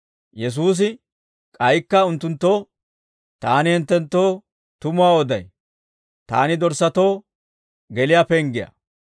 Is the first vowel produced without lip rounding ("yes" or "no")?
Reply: yes